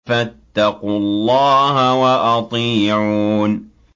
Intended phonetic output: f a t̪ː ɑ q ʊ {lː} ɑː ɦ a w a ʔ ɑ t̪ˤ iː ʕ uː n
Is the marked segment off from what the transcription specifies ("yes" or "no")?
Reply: no